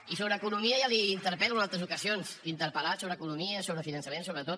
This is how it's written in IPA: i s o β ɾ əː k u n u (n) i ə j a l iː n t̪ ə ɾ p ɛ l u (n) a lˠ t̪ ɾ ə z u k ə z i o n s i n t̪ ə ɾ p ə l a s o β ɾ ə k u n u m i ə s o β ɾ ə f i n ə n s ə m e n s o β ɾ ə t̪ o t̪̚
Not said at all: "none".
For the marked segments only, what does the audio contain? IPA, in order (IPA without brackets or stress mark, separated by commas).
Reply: m, n